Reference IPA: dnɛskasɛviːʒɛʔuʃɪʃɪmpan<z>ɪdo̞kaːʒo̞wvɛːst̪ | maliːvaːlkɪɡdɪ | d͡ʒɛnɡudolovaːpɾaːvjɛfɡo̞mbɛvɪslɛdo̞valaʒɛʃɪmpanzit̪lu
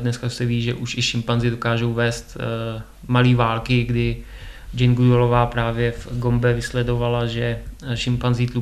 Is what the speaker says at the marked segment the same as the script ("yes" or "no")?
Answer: yes